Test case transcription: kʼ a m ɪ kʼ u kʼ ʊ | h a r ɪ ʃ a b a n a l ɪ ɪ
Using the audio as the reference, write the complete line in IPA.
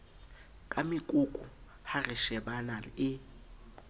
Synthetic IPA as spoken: kʼ a m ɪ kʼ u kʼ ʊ | h a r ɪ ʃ ɛ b a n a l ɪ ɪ